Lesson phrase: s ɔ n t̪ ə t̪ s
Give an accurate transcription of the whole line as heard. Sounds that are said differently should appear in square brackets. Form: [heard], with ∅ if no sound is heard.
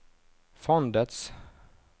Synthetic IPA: [f] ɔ n [d̪] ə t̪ s